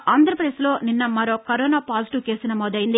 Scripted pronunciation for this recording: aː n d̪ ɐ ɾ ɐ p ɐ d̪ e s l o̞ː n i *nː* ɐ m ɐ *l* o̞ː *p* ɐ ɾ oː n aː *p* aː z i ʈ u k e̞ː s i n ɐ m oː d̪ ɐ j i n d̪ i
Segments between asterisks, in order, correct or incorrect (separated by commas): correct, incorrect, incorrect, correct